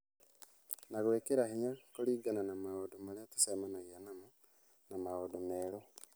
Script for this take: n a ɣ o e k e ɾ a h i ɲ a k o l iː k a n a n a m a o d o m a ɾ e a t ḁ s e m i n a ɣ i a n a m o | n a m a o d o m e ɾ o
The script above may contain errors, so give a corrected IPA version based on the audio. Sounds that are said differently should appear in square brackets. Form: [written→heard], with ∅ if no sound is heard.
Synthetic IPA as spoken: n a ɣ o e k e ɾ a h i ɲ a k o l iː [k→ɡ] a n a n a m a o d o m a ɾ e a t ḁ s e m [i→a] n a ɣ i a n a m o | n a m a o d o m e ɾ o